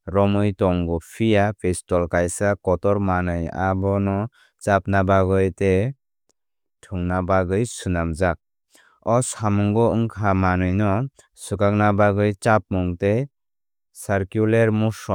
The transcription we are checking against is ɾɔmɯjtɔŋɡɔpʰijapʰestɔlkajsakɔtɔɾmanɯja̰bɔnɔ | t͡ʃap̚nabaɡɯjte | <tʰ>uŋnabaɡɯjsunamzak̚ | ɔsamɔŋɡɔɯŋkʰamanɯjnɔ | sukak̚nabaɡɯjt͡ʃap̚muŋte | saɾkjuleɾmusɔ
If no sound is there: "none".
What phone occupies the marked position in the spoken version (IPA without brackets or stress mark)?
tʰ